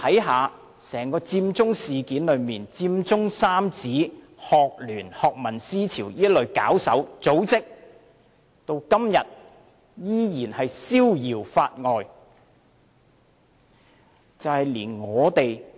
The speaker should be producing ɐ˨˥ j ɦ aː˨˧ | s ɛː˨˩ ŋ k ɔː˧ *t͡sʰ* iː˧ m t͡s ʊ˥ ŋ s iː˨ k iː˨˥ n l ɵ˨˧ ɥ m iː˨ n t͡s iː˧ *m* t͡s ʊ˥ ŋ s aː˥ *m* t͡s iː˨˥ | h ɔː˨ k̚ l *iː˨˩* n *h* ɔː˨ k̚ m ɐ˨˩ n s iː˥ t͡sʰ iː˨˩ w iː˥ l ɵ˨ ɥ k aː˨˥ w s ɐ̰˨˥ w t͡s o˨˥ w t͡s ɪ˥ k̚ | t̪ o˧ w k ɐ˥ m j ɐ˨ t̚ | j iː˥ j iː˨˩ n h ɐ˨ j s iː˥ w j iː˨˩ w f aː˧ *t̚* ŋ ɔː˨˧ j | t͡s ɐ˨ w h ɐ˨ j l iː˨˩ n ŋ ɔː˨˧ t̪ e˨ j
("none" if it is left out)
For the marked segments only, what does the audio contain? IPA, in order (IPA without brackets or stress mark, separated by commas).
t͡s, m, m, yː˨˩, h, t̚